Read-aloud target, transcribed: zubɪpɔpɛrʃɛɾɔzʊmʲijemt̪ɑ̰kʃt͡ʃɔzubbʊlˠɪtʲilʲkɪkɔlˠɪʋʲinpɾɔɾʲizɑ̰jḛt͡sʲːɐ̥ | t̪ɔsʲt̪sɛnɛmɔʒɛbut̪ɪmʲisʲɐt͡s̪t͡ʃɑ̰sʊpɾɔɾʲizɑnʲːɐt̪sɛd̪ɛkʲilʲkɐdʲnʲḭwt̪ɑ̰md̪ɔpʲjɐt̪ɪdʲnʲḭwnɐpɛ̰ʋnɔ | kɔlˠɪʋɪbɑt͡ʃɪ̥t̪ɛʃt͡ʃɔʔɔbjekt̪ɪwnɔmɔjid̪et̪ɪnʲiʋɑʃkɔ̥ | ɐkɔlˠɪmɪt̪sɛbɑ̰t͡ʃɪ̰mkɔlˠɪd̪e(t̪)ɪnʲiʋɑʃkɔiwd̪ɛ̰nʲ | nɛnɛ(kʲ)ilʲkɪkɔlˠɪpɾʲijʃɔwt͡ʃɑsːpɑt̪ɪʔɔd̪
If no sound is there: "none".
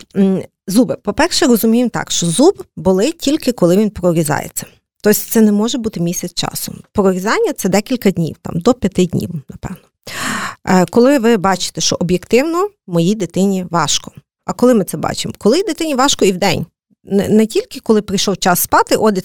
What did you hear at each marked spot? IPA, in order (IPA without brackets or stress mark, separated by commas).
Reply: t̪, tʲ